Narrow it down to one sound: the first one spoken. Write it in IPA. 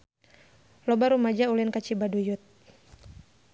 l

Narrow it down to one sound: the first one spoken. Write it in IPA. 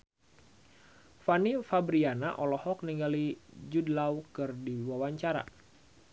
f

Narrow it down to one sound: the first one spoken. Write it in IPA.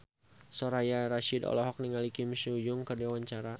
s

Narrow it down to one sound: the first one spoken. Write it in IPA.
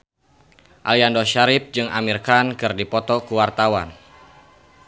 ʔ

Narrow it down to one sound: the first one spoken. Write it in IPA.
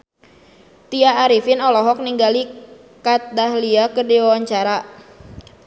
t̪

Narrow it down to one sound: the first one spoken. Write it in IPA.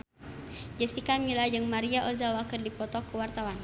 d͡ʒ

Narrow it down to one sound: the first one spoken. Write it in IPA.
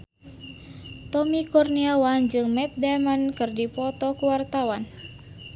t̪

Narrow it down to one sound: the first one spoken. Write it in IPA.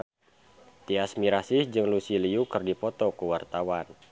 t̪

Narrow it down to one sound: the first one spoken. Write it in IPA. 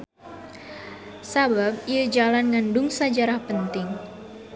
s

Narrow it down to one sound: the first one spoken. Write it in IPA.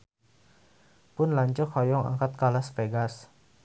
p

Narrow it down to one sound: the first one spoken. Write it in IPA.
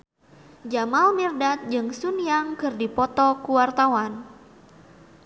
d͡ʒ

